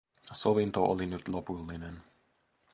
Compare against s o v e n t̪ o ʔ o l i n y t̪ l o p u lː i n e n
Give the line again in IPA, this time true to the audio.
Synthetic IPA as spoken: s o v i n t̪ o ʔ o l i n y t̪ l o p u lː i n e n